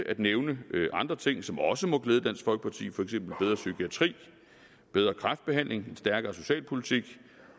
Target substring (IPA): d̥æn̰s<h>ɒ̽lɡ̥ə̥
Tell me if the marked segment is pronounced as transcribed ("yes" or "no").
no